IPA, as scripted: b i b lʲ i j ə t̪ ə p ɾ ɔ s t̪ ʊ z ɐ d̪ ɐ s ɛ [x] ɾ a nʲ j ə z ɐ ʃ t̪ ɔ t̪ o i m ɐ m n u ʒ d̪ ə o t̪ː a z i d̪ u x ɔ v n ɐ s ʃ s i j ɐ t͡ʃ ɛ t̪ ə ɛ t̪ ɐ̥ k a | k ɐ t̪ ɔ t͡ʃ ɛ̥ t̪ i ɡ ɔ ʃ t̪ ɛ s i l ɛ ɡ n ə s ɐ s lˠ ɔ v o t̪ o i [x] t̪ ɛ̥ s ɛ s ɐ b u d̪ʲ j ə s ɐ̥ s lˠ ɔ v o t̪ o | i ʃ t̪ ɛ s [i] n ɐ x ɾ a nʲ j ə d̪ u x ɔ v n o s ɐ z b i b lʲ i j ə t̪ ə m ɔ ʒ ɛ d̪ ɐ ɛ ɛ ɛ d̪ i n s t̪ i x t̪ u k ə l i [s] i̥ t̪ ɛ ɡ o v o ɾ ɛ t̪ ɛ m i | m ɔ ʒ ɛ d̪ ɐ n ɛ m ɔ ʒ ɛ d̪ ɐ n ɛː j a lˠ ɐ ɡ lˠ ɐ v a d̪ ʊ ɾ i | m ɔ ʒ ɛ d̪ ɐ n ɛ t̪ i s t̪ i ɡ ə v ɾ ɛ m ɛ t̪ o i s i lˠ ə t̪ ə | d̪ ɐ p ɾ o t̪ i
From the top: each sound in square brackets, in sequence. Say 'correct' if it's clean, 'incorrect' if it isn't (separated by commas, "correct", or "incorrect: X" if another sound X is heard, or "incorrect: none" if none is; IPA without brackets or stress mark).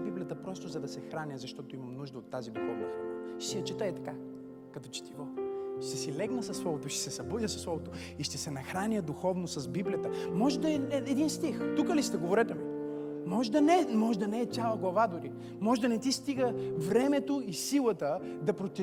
correct, incorrect: ʃ, incorrect: ɛ, correct